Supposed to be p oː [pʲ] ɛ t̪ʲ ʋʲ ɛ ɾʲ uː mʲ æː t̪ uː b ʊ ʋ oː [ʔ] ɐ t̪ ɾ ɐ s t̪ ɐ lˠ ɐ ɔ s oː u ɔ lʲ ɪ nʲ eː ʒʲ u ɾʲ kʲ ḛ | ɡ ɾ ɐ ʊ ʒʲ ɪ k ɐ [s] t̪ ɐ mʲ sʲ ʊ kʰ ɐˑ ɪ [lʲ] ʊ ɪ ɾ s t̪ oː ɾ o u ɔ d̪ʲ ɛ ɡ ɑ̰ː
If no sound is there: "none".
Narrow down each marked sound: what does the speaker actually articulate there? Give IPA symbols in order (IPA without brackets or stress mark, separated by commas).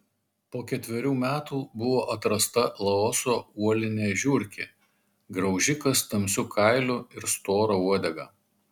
kʲ, ʔ, s, lʲ